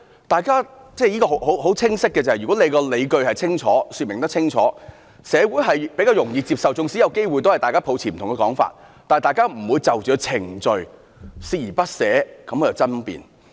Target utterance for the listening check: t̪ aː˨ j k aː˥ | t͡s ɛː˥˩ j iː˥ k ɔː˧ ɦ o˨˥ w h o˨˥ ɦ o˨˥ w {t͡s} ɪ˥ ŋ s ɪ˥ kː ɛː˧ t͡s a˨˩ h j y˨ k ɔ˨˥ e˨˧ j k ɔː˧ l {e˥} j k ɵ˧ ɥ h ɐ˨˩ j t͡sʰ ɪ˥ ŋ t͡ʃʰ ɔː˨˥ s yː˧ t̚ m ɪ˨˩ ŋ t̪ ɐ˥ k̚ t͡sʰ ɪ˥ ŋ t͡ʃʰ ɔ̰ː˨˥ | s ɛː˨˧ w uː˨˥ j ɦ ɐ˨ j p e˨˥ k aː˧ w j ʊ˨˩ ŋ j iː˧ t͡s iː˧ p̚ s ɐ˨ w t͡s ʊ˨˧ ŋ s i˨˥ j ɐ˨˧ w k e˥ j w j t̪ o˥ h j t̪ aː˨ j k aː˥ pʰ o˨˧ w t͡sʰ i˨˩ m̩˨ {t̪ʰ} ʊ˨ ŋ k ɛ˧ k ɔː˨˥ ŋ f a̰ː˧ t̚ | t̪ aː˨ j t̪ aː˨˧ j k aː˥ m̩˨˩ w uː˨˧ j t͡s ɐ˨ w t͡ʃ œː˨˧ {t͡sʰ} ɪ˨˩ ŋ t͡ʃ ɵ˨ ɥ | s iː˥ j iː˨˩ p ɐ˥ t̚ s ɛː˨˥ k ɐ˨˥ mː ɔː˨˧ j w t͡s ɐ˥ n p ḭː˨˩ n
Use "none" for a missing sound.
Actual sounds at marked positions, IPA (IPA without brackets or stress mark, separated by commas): t͡sʰ, e˨˧, t̪, t͡sʰ